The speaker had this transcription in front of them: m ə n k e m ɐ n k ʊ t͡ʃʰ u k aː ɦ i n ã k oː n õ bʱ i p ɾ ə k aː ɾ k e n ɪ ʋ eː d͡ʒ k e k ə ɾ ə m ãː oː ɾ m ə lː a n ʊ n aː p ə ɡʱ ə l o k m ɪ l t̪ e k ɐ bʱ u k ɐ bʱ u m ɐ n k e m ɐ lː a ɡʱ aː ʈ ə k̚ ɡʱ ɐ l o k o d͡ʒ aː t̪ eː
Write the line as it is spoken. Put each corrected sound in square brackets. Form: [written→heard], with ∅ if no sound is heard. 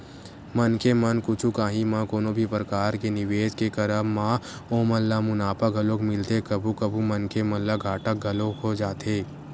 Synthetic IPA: m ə n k e m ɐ n k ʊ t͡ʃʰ u k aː ɦ i [n→m] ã k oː n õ bʱ i p ɾ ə k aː ɾ k e n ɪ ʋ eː d͡ʒ k e k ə ɾ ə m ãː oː [ɾ→∅] m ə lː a [n→m] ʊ n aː p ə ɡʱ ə l o k m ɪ l t̪ e k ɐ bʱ u k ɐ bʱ u m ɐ n k e m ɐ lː a ɡʱ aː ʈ ə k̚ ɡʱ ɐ l o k o d͡ʒ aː t̪ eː